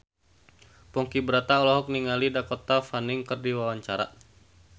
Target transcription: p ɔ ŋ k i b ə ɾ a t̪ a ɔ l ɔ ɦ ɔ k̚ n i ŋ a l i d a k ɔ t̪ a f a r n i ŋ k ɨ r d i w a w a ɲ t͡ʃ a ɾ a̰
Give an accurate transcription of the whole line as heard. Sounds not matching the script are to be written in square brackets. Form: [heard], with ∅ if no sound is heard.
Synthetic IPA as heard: p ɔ ŋ k i b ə ɾ a t̪ a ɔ l ɔ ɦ ɔ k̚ n i ŋ a l i d a k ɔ t̪ a f a [∅] n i ŋ k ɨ r d i w a w a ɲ t͡ʃ a ɾ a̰

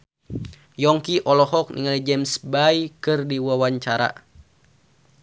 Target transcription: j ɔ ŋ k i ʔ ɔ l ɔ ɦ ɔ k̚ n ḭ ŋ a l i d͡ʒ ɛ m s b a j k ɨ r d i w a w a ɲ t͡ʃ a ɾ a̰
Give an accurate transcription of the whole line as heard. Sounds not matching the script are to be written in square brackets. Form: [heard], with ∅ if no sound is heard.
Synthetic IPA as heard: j ɔ ŋ k i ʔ ɔ l ɔ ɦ ɔ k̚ n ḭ ŋ a l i d͡ʒ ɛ m s b a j k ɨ r d i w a w a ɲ t͡ʃ a ɾ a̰

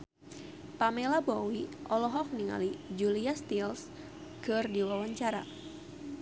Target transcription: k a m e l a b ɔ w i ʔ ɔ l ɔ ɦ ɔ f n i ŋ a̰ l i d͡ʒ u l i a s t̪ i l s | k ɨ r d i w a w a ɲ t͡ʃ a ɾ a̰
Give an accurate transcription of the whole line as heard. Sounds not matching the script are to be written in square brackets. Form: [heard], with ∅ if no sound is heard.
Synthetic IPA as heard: [p] a m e l a b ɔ w i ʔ ɔ l ɔ ɦ ɔ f n i ŋ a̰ l i d͡ʒ u l i a s t̪ i l s | k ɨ r d i w a w a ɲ t͡ʃ a ɾ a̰

